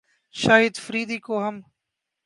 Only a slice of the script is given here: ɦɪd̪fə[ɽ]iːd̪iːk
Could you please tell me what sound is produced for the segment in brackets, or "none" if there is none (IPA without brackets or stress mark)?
ɾ